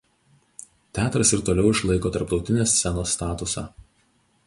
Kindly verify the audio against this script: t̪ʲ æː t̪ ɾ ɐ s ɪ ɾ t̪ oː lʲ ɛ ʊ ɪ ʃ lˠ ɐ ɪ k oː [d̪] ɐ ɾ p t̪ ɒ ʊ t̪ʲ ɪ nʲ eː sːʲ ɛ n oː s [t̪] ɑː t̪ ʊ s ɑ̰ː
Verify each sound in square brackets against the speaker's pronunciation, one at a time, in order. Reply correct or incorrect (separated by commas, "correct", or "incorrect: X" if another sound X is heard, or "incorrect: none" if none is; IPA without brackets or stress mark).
incorrect: t̪, correct